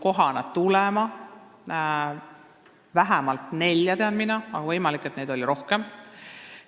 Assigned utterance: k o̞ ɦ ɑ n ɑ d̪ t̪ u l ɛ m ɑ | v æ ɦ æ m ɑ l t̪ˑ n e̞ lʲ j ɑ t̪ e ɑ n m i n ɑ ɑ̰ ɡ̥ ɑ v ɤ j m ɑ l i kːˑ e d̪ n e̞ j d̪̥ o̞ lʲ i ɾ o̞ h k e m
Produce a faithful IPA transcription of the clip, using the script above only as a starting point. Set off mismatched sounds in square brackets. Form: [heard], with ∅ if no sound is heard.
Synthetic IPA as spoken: k o̞ ɦ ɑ n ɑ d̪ t̪ u l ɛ m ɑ | v æ ɦ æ m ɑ l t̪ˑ n e̞ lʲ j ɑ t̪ e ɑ n m i n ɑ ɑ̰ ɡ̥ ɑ v ɤ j m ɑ l i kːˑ e [t̪] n e̞ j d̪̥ o̞ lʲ i ɾ o̞ h k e m